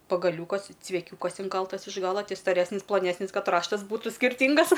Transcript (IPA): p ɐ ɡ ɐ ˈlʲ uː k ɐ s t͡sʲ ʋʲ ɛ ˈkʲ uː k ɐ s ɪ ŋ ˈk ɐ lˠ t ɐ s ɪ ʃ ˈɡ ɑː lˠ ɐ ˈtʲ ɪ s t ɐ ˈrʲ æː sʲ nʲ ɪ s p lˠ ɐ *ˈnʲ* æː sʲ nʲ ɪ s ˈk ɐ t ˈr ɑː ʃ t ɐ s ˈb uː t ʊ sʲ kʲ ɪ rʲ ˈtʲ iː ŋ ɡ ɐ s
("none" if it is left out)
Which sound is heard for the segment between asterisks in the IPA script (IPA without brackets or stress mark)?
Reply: nʲ